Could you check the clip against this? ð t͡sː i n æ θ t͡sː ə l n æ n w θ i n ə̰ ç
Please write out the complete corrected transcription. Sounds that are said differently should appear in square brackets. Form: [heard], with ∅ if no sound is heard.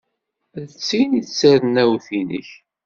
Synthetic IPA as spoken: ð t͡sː i n [i] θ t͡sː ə [ɾ] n æ [∅] w θ i n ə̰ ç